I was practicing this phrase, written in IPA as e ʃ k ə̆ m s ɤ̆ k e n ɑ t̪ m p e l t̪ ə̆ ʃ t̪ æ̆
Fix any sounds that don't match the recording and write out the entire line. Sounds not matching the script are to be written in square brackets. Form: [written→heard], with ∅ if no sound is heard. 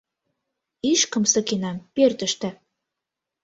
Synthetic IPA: [e→i] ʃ k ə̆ m s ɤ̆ k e n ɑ [t̪→∅] m p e [l→r] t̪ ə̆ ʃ t̪ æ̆

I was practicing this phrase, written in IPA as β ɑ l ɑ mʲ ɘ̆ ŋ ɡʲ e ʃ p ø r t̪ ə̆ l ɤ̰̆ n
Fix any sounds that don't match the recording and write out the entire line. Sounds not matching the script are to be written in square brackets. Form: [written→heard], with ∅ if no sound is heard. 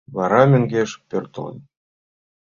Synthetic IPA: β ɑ [l→ɾ] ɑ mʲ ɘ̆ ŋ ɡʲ e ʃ p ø r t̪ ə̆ l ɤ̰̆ n

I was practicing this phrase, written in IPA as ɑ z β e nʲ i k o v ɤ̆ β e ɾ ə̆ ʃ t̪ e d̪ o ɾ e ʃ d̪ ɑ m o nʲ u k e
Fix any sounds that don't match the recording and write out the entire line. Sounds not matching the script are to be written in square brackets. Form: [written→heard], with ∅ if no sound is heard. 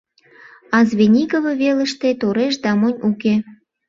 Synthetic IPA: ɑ z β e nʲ i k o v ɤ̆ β e [ɾ→l] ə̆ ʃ t̪ e [d̪→t̪] o ɾ e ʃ d̪ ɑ m o nʲ u k e

